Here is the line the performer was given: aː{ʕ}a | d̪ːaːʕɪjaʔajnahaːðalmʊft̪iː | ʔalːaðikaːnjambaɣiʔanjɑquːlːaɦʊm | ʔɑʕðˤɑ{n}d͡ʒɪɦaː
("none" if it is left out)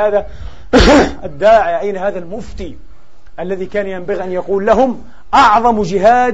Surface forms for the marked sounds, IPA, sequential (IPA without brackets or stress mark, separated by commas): ð, m